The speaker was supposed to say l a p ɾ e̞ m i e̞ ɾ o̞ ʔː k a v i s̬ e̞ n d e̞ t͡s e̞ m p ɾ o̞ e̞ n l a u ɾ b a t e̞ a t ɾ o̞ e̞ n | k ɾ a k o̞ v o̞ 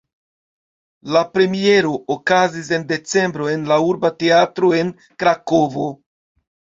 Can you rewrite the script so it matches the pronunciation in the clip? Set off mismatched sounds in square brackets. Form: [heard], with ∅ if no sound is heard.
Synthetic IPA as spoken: l a p ɾ e̞ m i e̞ ɾ o̞ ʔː k a [z] i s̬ e̞ n d e̞ t͡s e̞ m [b] ɾ o̞ e̞ n l a u ɾ b a t e̞ a t ɾ o̞ e̞ n | k ɾ a k o̞ v o̞